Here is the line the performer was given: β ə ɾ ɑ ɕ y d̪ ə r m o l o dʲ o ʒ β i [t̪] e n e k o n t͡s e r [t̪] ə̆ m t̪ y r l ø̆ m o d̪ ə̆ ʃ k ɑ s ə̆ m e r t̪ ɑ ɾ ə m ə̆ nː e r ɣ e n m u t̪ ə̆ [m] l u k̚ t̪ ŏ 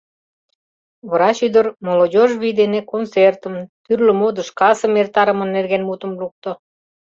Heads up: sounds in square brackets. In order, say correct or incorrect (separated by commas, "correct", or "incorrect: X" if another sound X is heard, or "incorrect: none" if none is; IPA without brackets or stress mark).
incorrect: d̪, correct, correct